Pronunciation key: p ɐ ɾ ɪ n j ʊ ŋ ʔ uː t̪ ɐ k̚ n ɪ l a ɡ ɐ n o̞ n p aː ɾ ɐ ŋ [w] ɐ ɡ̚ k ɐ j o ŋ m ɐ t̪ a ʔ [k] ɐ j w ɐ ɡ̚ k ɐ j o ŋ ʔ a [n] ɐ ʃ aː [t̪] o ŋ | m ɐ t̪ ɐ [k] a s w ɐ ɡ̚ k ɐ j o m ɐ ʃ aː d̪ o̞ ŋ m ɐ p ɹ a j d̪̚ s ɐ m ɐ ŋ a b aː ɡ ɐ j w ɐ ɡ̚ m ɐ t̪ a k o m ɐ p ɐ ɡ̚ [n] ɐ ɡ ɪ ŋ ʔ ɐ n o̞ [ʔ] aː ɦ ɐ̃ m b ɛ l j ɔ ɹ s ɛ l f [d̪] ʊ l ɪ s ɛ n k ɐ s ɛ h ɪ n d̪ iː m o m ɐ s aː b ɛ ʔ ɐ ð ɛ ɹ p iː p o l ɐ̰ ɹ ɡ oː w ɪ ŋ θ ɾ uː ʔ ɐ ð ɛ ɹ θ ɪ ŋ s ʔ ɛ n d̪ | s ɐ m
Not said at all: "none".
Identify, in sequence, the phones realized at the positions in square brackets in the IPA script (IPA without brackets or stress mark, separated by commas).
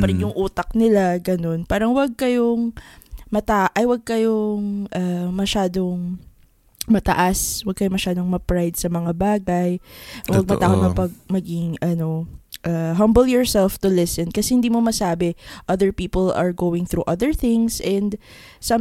w, ʔ, m, d̪, ʔ, m, ʔ, t̪